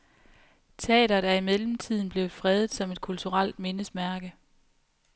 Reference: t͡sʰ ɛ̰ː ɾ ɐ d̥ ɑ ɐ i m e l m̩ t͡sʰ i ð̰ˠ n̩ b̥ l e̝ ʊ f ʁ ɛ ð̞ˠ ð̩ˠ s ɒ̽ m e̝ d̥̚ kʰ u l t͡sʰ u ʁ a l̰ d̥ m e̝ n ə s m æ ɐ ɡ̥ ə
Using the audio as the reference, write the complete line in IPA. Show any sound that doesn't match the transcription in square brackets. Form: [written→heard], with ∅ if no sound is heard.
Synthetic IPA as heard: t͡sʰ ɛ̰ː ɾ ɐ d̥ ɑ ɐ i m e l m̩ t͡sʰ i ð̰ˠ n̩ b̥ l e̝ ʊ f ʁ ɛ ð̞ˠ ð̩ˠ s ɒ̽ m e̝ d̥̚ kʰ u l t͡sʰ u ʁ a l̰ d̥ m e̝ n ə s m æ ɐ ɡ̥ ə